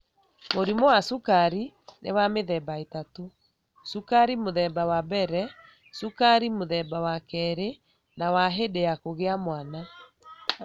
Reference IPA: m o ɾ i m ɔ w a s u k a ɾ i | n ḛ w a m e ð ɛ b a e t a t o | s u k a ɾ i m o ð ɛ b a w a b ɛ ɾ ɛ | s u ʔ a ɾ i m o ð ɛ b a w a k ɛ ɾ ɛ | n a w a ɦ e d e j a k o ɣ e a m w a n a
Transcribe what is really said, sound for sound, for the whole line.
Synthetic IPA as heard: m o ɾ i m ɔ w a s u k a ɾ i | n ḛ w a m e ð ɛ b a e t a t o | s u k a ɾ i m o ð ɛ b a w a b ɛ ɾ ɛ | s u k a ɾ i m o ð ɛ b a w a k ɛ ɾ e | n a w a ɦ e d e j a k o ɣ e a m w a n a